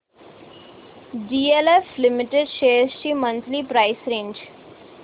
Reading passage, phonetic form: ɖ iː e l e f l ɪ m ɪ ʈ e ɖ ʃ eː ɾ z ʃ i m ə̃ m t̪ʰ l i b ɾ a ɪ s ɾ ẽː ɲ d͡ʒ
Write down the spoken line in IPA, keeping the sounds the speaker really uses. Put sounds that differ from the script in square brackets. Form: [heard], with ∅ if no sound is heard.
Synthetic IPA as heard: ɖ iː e l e f l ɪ m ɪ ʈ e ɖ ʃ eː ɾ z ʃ i m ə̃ [n] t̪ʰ l i [p] ɾ a ɪ s ɾ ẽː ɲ d͡ʒ